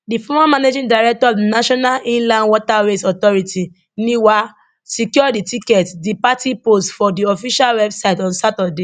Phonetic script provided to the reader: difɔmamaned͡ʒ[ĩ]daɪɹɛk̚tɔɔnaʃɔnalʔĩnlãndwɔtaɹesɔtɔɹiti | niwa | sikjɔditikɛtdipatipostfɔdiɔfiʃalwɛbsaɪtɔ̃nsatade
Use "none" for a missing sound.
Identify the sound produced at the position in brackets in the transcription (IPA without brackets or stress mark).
ĩ